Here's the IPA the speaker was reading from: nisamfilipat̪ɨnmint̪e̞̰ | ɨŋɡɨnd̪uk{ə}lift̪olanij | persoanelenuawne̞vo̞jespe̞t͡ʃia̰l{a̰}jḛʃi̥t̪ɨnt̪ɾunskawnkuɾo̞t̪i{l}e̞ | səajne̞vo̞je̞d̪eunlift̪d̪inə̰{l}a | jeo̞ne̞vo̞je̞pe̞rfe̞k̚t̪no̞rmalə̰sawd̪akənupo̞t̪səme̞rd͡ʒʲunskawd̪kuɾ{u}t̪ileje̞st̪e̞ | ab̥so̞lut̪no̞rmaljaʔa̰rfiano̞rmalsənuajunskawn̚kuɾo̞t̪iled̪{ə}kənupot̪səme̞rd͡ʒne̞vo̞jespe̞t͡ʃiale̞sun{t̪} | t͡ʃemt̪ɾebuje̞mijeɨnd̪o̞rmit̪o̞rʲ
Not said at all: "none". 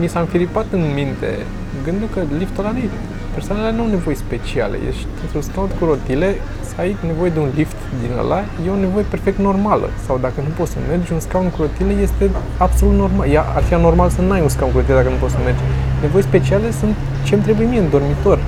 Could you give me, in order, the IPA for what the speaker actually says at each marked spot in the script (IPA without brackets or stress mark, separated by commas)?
ə, ḛ, l, l, o, a, t̪